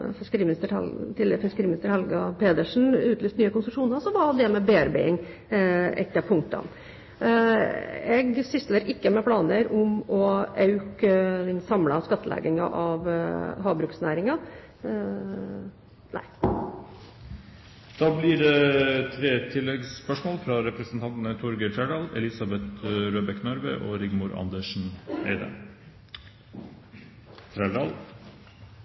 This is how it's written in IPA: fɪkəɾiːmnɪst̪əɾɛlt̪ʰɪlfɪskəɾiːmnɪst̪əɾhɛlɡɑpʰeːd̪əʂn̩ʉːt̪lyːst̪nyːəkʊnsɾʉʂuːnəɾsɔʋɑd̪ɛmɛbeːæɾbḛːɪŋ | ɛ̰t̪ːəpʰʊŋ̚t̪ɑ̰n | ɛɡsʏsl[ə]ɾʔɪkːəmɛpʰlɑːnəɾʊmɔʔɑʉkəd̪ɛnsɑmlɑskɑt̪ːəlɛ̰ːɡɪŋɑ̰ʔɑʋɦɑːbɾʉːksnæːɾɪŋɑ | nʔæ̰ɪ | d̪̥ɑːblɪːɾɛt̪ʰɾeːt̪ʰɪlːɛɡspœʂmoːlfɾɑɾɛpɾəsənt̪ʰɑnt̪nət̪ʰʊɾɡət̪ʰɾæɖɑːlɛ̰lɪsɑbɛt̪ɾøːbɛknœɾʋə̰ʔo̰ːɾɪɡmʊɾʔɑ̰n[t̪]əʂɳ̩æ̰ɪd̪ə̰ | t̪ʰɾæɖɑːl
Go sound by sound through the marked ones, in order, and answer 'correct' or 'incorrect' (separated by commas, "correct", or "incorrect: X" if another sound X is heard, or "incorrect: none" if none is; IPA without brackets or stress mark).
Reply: correct, incorrect: d̪